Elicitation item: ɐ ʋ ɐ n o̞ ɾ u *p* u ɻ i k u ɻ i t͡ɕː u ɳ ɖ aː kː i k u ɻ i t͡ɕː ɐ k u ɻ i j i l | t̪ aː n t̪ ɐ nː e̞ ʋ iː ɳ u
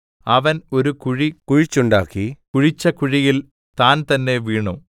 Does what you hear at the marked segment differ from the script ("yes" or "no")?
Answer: yes